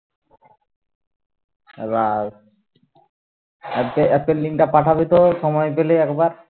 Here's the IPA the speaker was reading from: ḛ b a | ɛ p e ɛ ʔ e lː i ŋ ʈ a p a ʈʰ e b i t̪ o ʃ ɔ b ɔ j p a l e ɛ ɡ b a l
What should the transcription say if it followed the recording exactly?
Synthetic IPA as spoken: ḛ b a | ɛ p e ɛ p e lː i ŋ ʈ a p a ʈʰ a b i t̪ o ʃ ɔ m ɔ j p e l e ɛ k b a ɾ